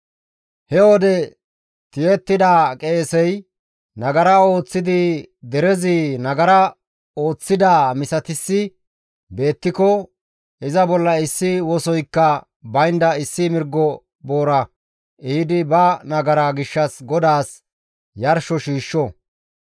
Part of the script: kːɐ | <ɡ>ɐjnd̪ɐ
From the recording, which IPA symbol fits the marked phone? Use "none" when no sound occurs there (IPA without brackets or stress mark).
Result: b